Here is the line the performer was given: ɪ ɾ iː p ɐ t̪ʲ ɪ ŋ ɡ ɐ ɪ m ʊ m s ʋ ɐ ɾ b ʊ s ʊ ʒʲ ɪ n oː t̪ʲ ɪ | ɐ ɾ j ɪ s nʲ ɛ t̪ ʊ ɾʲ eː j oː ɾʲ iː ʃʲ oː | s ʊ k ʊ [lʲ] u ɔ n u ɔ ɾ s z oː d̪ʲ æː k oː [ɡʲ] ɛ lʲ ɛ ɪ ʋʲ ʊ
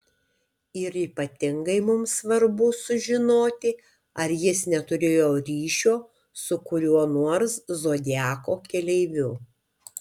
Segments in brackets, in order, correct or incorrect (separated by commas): incorrect, incorrect